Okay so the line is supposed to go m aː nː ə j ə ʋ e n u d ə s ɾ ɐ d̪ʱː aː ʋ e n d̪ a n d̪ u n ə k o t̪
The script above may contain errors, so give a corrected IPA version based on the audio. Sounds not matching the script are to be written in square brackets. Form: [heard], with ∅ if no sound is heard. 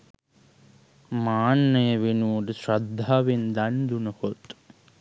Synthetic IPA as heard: m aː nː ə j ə ʋ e n u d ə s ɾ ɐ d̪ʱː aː ʋ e n d̪ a n d̪ u n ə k o t̪